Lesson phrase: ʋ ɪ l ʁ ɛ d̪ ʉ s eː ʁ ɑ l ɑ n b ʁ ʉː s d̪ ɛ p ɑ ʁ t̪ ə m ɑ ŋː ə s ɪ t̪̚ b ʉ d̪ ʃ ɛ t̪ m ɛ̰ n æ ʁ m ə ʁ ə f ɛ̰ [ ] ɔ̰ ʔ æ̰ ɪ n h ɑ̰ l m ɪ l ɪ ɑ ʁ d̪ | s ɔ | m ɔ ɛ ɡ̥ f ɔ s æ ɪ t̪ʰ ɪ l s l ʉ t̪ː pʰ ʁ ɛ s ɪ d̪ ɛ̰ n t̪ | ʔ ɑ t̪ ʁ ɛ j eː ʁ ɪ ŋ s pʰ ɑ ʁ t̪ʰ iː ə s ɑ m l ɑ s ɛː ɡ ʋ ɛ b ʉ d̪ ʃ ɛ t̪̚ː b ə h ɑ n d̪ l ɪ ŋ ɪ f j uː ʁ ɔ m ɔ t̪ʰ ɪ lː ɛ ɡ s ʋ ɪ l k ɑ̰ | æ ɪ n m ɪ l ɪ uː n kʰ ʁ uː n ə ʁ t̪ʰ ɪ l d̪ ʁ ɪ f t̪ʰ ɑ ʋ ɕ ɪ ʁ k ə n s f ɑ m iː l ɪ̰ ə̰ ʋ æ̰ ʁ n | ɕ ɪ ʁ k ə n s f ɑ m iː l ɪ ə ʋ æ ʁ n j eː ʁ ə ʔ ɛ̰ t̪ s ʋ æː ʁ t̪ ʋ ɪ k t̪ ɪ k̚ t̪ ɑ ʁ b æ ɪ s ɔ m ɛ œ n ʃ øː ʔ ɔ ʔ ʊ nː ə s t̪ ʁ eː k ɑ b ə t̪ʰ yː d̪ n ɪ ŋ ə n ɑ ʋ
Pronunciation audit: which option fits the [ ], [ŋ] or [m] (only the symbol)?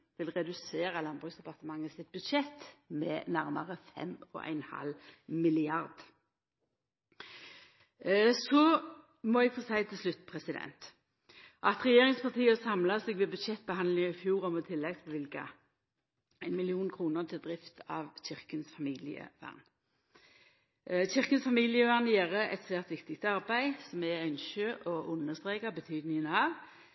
m